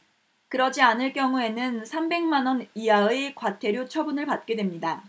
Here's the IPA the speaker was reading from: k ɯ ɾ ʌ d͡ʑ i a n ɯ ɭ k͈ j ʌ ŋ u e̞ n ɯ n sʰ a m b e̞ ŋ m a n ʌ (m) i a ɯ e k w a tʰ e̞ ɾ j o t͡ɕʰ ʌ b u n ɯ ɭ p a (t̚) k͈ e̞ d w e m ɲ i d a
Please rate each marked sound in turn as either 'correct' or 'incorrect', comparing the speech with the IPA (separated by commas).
incorrect, correct